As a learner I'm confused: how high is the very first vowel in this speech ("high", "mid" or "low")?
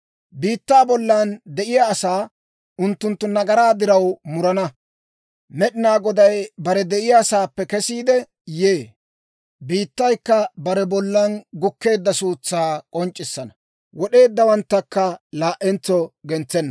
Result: high